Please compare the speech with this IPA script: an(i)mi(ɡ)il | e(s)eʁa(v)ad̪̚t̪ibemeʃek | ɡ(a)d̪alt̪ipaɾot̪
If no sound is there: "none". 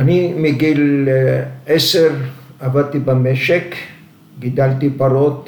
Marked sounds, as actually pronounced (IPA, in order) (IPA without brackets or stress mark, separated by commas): i, ɡ, s, v, i